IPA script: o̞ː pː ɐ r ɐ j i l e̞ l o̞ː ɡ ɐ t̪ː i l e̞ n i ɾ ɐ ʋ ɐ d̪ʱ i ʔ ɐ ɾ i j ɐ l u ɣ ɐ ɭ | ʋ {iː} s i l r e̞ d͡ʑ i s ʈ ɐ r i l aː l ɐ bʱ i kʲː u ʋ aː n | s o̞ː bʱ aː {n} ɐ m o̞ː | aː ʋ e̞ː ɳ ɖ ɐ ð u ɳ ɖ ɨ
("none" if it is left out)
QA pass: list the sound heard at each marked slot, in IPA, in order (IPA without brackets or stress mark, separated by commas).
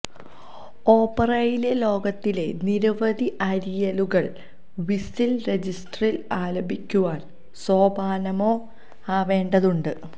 i, n